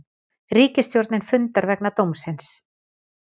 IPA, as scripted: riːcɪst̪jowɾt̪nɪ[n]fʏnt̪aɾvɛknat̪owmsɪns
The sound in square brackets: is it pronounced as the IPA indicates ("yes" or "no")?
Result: yes